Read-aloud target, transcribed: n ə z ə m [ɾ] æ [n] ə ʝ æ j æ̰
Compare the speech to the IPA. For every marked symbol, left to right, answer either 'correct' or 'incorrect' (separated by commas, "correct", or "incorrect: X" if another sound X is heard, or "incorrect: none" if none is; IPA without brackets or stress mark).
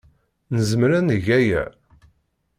correct, correct